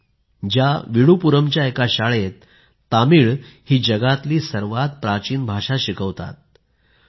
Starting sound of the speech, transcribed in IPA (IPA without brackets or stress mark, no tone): d͡ʑ